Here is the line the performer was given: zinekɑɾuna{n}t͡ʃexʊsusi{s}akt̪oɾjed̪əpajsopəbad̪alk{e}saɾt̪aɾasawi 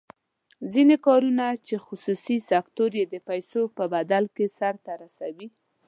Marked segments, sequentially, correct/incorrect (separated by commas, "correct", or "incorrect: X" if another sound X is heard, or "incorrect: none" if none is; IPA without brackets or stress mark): incorrect: none, correct, correct